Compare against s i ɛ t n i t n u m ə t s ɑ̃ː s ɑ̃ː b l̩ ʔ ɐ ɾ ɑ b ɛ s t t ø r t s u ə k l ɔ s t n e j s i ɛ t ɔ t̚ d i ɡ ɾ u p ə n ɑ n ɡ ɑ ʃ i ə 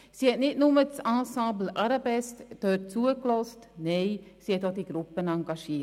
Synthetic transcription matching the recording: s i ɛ t n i t n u m ə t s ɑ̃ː s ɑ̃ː b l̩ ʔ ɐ ɾ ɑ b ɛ s t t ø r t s u ə k l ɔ s t n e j s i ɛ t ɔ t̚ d i ɡ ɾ u p ə n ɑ ŋ ɡ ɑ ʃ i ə